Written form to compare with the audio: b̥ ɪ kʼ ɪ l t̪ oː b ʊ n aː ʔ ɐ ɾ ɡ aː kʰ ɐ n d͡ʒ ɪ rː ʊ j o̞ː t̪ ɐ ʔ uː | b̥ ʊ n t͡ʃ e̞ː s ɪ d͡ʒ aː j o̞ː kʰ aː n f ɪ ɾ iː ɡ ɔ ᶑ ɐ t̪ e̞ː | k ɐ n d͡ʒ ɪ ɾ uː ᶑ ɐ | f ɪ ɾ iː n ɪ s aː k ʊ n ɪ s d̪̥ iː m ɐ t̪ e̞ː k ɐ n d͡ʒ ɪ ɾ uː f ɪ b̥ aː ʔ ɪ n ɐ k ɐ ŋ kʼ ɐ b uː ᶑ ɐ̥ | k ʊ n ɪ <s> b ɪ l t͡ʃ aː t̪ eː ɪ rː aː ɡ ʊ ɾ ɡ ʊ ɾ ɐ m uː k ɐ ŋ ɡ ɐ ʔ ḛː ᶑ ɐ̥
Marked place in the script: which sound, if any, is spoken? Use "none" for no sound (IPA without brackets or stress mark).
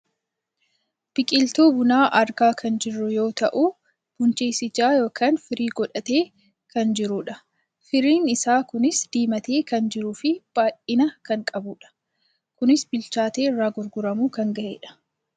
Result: s